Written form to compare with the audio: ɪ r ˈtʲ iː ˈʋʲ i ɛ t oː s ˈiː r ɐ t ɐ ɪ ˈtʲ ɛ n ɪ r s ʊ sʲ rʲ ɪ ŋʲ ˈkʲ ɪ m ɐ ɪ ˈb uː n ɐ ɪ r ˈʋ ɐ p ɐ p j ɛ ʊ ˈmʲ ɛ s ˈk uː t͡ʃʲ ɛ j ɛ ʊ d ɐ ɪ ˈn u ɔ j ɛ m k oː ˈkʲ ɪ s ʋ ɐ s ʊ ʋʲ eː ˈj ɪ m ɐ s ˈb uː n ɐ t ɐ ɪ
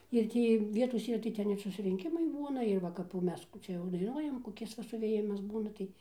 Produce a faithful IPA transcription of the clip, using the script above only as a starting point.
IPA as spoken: ɪ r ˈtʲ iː ˈʋʲ i ɛ t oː s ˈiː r ɐ t ɐ ɪ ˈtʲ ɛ n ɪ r s ʊ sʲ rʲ ɪ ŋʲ ˈkʲ ɪ m ɐ ɪ ˈb uː n ɐ ɪ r ˈʋ ɐ k ɐ p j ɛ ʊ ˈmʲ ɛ s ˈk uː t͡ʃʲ ɛ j ɛ ʊ d ɐ ɪ ˈn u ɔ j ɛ m k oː ˈkʲ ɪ s ʋ ɐ s ʊ ʋʲ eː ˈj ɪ m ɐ s ˈb uː n ɐ t ɐ ɪ